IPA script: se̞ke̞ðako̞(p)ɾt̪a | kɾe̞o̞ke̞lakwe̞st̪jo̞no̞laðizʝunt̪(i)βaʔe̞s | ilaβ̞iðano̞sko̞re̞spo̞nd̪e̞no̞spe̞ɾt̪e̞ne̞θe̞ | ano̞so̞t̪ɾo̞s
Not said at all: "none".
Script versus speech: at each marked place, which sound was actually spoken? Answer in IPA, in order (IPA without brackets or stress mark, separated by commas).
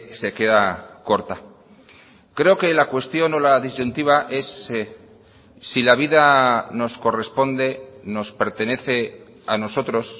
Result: none, i